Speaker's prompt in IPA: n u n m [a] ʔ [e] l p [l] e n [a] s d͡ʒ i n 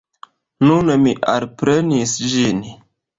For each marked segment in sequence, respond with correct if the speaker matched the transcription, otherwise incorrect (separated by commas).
incorrect, incorrect, incorrect, incorrect